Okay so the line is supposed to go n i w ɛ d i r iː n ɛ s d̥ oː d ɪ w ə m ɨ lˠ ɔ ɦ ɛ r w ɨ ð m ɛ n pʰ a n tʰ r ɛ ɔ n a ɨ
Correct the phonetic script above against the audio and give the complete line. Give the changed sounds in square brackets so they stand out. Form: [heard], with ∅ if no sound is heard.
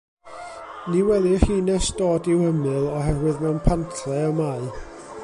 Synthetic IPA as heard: n i w ɛ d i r iː n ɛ s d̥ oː d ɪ w ə m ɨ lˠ ɔ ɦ ɛ r w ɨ ð m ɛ n pʰ a n tʰ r ɛ ɔ [m] a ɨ